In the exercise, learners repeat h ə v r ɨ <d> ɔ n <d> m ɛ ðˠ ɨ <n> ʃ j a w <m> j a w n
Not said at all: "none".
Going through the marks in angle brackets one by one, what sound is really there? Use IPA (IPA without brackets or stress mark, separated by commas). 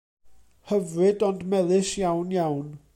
d, d, none, n